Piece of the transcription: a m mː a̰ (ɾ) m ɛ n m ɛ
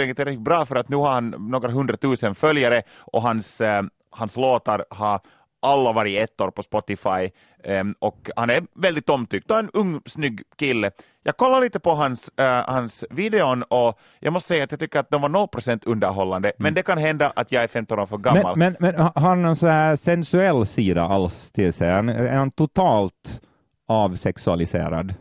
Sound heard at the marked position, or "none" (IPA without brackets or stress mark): l